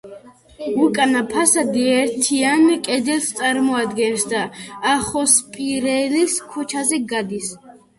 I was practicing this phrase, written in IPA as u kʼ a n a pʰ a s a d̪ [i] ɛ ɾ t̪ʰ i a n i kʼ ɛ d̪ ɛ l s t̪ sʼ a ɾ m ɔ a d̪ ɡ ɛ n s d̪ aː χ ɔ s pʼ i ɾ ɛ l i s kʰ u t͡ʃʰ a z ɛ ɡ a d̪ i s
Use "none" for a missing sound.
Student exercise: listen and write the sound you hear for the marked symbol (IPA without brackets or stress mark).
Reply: i